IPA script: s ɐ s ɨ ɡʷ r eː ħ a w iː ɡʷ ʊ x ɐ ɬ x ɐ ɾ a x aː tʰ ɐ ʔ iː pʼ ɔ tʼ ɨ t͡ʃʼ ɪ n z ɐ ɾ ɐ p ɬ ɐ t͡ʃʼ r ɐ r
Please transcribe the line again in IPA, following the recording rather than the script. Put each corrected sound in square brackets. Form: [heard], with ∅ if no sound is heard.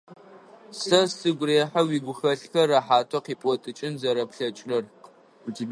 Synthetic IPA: s ɐ s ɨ ɡʷ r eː ħ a w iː ɡʷ ʊ x ɐ ɬ x ɐ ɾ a [ħ] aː tʰ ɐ [q] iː pʼ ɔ tʼ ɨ t͡ʃʼ ɪ n z ɐ ɾ ɐ p ɬ ɐ t͡ʃʼ r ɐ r